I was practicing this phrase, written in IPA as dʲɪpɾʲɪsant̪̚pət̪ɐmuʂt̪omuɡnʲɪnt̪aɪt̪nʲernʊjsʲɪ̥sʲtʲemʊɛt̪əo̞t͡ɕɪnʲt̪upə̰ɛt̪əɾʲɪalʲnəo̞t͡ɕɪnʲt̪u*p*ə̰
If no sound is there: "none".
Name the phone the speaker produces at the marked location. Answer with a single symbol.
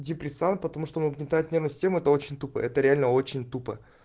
p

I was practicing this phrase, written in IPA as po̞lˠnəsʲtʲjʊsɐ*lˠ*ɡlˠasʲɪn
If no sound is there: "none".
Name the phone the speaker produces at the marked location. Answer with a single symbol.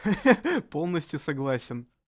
none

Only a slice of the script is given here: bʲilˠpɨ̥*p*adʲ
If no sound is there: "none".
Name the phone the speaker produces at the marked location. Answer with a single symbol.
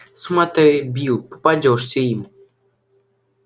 p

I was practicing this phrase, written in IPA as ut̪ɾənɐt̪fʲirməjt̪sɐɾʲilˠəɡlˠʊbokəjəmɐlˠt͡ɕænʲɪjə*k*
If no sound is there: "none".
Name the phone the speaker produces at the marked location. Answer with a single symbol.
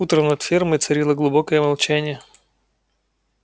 none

